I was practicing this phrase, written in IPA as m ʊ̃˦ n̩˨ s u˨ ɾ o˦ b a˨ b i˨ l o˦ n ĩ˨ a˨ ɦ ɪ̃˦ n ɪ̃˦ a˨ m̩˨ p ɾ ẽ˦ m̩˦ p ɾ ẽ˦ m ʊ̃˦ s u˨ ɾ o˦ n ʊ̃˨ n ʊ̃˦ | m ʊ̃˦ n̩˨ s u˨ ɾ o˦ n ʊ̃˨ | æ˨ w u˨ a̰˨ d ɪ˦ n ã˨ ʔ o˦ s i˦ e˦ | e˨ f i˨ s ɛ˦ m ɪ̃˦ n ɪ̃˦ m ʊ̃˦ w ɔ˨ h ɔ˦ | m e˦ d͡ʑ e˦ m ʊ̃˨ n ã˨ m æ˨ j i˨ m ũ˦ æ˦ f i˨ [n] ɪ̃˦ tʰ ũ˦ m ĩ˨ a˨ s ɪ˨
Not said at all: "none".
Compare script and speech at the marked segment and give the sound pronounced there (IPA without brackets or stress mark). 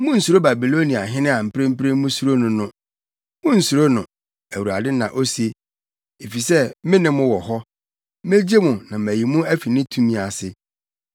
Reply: n